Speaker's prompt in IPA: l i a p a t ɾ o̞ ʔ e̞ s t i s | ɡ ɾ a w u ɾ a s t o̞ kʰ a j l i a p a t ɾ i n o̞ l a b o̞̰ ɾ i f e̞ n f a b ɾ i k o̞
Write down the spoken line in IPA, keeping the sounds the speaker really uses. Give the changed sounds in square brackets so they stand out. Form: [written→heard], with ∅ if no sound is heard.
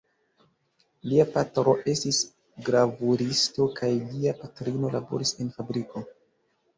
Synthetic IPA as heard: l i a p a t ɾ o̞ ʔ e̞ s t i s | ɡ ɾ a [w→v] u ɾ [a→i] s t o̞ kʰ a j l i a p a t ɾ i n o̞ l a b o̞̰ ɾ i [f→s] e̞ n f a b ɾ i k o̞